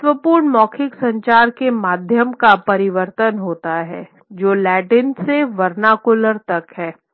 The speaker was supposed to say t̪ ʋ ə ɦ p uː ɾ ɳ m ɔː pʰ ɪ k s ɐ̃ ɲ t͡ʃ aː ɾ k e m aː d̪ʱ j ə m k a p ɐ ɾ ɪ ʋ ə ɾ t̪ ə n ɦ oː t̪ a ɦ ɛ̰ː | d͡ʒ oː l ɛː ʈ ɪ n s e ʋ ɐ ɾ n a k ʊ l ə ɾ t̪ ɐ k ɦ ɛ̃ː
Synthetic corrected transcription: t̪ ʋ ə p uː ɾ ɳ m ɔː kʰ ɪ k s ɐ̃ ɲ t͡ʃ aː ɾ k e m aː d̪ʱ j ə m k a p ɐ ɾ ɪ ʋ ə ɾ t̪ ə n ɦ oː t̪ a ɦ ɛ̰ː | d͡ʒ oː l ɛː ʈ ɪ n s e ʋ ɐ ɾ n a k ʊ l ə ɾ t̪ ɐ k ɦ ɛː

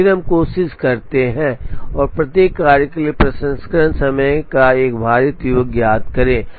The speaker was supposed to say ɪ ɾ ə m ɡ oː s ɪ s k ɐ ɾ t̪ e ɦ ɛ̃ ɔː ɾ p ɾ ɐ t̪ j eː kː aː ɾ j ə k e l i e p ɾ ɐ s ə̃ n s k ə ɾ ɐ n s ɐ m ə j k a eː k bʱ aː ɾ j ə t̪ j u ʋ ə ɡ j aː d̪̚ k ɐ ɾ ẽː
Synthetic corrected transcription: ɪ ɾ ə m k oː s ɪ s k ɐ ɾ t̪ e ɦ ɛ̃ ɔː ɾ p ɾ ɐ t̪ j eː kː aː ɾ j ə k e l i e p ɾ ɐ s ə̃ n s k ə ɾ ə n s ɐ m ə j k a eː k bʱ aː ɾ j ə t̪ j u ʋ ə ɡ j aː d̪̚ k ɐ ɾ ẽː

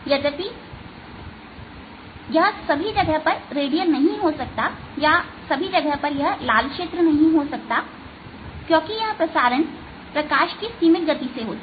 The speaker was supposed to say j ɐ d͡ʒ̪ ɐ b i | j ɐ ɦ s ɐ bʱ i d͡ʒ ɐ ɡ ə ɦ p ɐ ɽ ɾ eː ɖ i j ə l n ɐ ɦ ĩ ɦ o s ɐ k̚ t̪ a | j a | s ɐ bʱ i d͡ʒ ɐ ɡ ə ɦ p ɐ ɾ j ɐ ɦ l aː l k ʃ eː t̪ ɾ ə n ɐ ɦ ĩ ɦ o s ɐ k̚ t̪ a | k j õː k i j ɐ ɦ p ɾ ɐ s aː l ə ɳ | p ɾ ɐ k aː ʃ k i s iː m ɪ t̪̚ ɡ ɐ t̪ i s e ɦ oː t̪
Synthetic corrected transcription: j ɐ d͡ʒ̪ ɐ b i | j ɐ ɦ s ɐ bʱ i d͡ʒ ɐ ɡ ə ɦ p ɐ ɾ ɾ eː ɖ i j ə l n ɐ ɦ ĩ ɦ o s ɐ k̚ t̪ a | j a | s ɐ bʱ i d͡ʒ ɐ ɡ ə ɦ p ɐ ɾ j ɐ ɦ l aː l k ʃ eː t̪ ɾ ə n ɐ ɦ ĩ ɦ o s ɐ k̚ t̪ a | k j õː k i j ɐ ɦ p ɾ ɐ s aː ɾ ə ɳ | p ɾ ɐ k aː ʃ k i s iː m ɪ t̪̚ ɡ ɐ t̪ i s e ɦ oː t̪

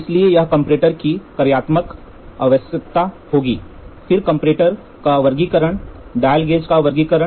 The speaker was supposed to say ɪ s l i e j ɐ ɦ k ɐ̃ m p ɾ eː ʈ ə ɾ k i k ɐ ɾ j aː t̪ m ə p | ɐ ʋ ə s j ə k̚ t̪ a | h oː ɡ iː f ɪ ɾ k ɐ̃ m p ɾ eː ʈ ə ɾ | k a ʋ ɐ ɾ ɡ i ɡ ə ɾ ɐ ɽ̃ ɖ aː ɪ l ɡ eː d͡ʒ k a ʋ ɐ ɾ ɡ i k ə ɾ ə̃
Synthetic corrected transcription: ɪ s l i e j ɐ ɦ k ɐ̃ m p ɾ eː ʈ ə ɾ k i k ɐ ɾ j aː t̪ m ə k | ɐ ʋ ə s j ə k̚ t̪ a | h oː ɡ iː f ɪ ɾ k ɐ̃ m p ɾ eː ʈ ə ɾ | k a ʋ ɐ ɾ ɡ i k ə ɾ ə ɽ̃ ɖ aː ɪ l ɡ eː d͡ʒ k a ʋ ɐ ɾ ɡ i k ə ɾ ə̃

